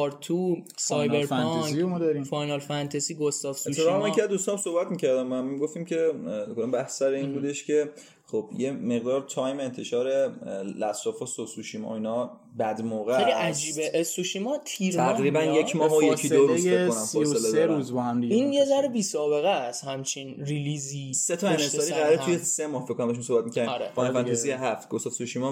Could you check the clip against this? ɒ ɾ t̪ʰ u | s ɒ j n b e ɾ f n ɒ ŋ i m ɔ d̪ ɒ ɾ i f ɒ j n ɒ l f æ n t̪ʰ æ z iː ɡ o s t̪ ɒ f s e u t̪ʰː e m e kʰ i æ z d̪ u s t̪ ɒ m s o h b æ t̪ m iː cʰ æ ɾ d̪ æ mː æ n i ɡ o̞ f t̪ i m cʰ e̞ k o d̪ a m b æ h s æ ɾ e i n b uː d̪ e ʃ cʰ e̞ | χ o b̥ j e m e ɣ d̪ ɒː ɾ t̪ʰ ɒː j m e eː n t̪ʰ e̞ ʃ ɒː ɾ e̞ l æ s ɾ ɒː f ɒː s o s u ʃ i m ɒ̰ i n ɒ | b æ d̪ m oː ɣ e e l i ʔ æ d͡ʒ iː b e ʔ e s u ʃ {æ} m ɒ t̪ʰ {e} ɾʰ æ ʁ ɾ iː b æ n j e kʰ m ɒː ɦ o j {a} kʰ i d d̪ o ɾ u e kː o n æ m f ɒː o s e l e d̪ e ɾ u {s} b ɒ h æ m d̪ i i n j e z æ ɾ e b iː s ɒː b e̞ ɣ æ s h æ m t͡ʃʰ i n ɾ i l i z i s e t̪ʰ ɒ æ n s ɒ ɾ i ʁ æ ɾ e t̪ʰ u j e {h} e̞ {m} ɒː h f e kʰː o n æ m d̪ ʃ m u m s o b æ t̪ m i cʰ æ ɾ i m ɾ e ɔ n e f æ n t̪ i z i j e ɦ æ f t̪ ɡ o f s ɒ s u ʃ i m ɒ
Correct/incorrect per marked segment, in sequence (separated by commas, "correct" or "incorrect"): incorrect, incorrect, incorrect, incorrect, incorrect, correct